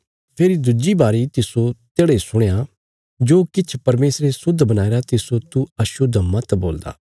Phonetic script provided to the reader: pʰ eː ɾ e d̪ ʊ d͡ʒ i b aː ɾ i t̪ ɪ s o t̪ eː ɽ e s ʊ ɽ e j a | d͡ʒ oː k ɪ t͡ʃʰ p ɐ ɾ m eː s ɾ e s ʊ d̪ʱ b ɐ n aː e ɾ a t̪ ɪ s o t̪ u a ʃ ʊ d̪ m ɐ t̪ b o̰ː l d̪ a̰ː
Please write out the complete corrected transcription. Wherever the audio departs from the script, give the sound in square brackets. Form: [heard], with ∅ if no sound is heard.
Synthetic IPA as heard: pʰ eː ɾ [i] d̪ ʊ d͡ʒ i b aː ɾ i t̪ ɪ s o t̪ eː ɽ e s ʊ ɽ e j a | d͡ʒ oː k ɪ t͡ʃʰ p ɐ ɾ m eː s ɾ e s ʊ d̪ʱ b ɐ n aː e ɾ a t̪ ɪ s o t̪ u [ɐ] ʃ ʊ d̪ m ɐ t̪ b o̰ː l d̪ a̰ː